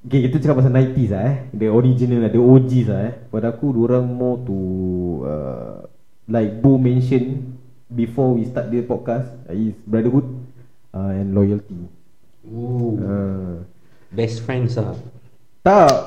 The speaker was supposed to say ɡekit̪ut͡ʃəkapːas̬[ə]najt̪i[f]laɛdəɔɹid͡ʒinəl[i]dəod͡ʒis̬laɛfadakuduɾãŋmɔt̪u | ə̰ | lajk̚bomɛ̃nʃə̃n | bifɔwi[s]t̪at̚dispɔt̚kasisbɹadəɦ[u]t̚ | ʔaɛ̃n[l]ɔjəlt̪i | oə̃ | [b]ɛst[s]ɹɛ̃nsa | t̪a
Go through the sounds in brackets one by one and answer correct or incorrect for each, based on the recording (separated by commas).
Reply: incorrect, incorrect, incorrect, correct, correct, correct, correct, incorrect